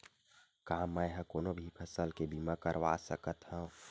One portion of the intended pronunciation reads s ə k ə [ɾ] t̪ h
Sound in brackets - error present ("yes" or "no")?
yes